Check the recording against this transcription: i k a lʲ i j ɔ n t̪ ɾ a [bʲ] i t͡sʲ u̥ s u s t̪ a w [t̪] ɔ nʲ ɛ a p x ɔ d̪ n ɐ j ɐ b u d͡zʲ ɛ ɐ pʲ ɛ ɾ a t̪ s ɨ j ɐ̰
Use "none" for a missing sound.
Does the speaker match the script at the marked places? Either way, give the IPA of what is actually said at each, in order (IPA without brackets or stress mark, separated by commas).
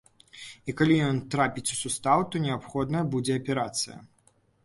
pʲ, t̪